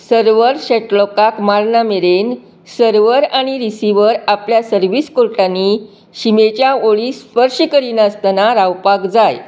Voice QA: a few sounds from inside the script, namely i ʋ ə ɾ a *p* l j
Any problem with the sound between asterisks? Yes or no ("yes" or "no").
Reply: no